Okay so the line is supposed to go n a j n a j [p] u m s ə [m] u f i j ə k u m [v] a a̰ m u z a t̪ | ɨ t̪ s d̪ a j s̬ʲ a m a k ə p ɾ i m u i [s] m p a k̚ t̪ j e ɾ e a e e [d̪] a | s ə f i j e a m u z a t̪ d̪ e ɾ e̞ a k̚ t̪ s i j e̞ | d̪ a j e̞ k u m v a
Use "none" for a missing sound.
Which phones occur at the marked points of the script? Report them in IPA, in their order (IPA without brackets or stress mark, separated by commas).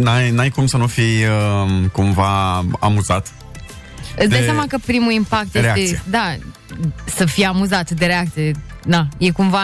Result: k, n, v, none, d̪